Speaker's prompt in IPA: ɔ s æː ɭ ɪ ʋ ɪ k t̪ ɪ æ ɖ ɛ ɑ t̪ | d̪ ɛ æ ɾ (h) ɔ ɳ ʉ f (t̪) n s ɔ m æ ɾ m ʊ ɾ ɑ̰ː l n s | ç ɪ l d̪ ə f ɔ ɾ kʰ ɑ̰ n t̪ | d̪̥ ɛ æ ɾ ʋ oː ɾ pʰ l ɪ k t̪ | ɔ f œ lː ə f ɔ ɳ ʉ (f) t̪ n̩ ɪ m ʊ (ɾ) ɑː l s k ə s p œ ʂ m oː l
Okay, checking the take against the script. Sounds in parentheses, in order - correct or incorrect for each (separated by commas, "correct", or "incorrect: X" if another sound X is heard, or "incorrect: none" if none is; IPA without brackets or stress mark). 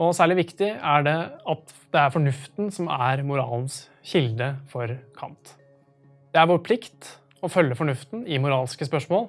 incorrect: f, correct, correct, correct